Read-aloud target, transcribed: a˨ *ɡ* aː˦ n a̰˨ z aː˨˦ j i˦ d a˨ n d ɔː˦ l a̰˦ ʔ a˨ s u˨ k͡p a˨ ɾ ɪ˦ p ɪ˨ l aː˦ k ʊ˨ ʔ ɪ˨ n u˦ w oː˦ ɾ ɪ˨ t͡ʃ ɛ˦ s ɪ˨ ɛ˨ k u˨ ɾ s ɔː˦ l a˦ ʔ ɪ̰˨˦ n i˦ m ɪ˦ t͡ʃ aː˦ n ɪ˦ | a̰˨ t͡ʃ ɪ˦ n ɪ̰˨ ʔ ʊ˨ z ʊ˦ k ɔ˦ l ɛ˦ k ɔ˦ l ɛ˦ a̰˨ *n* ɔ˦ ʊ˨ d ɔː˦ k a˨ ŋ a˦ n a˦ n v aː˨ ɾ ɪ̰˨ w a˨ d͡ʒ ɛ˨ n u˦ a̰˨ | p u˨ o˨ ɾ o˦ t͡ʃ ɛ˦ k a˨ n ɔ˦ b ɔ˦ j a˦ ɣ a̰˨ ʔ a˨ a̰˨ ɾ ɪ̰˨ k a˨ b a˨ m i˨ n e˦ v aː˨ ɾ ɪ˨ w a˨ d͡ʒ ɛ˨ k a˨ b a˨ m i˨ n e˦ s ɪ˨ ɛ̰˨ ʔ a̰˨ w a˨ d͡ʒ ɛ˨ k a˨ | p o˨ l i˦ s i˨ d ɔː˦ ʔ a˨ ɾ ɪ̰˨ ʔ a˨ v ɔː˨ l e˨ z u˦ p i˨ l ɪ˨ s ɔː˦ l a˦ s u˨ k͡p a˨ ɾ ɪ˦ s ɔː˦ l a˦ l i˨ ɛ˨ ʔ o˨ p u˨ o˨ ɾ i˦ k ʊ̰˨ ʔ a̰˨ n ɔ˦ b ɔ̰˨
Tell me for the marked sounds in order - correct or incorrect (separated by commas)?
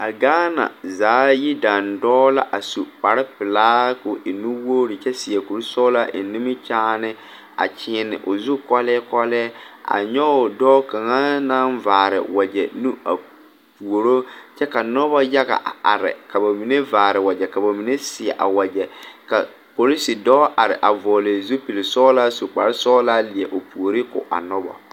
correct, incorrect